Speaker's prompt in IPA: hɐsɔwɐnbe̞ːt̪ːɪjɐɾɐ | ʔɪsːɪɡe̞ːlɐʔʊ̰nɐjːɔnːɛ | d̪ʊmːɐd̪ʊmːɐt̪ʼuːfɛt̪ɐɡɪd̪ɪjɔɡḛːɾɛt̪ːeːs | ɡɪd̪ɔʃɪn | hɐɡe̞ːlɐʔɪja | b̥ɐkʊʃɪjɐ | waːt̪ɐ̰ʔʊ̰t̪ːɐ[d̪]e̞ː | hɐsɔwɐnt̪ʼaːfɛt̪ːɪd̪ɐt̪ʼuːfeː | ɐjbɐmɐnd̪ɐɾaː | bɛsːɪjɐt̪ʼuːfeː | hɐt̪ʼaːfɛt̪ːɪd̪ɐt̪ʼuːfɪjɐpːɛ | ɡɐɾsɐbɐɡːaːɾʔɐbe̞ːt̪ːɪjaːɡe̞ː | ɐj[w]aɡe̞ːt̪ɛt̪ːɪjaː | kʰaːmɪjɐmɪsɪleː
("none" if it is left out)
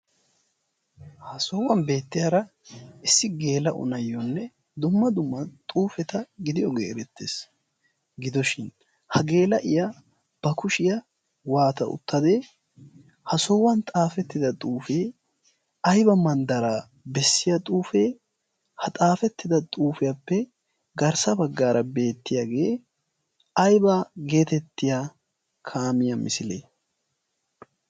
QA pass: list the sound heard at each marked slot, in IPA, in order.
d̪, b

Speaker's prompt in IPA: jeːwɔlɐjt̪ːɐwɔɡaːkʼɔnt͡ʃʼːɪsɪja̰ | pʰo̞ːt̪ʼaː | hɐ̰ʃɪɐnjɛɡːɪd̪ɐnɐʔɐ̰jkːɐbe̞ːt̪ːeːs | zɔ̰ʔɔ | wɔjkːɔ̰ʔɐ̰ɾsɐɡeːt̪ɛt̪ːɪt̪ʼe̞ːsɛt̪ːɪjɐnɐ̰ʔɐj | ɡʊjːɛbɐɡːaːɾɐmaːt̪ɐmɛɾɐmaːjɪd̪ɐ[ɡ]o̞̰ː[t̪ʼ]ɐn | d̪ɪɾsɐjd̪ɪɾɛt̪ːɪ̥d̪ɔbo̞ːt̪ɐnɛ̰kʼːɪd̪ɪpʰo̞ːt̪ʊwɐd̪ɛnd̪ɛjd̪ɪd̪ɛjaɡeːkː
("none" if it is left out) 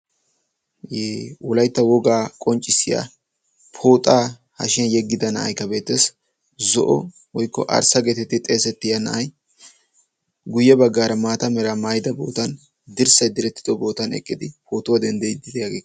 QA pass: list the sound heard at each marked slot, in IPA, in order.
b, t̪

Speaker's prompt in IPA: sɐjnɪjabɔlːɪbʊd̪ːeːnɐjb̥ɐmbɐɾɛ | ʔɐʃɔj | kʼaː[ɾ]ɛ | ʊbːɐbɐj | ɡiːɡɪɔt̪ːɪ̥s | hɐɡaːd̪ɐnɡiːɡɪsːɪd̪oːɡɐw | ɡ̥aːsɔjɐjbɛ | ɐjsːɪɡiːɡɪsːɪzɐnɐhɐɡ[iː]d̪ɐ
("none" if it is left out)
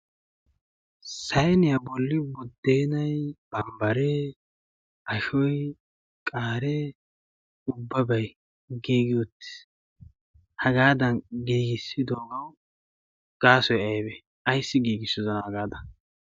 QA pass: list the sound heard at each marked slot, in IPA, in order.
ɾ, aː

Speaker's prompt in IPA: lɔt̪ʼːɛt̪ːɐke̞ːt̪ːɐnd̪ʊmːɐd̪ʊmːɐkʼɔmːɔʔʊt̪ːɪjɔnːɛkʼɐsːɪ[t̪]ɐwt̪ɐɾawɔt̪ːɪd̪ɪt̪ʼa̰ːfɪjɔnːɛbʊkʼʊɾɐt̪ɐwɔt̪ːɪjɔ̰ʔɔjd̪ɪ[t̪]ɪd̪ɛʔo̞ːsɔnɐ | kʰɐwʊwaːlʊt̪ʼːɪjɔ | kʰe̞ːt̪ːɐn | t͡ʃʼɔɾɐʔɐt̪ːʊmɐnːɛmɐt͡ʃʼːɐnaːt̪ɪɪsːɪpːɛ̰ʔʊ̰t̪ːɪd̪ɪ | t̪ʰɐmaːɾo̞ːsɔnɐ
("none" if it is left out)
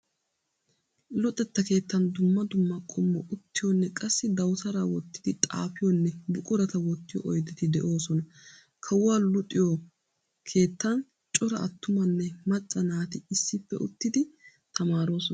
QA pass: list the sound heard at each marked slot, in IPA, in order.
d̪, t̪

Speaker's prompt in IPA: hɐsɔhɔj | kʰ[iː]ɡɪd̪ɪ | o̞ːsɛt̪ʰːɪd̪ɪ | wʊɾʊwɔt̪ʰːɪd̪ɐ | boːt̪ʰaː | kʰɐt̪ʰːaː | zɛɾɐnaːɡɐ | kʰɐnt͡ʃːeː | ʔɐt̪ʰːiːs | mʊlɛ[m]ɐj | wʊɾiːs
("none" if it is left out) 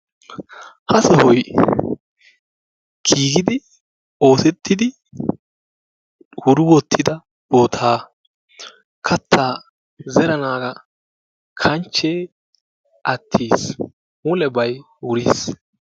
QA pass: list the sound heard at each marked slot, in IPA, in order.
iː, b

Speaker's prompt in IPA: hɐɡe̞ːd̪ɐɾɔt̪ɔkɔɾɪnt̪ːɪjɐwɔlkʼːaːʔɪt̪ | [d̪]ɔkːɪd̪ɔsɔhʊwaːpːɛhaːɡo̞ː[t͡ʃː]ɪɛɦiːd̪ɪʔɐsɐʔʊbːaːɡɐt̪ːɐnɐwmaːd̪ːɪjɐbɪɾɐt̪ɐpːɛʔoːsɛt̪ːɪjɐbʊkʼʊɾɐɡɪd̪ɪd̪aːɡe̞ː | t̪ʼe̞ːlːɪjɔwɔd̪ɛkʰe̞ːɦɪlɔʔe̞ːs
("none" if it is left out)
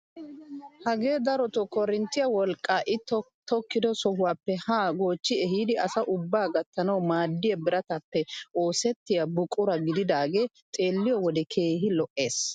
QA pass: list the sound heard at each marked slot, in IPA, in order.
t̪, t͡ʃː

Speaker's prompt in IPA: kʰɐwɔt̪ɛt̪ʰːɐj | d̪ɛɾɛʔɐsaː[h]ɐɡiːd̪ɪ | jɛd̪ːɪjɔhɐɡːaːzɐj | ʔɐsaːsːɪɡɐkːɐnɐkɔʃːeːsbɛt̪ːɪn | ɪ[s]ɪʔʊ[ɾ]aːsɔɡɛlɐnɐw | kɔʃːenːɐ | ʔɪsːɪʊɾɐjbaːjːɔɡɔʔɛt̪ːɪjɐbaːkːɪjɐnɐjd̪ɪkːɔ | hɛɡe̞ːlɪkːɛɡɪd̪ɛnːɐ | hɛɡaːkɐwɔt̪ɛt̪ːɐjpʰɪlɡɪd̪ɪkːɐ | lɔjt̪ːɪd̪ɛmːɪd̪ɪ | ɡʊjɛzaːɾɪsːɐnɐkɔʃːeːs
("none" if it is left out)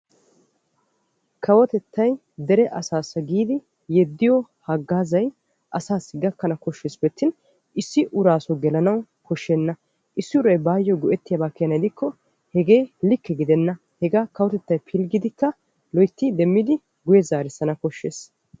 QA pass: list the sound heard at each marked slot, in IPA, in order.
s, sː, ɾ

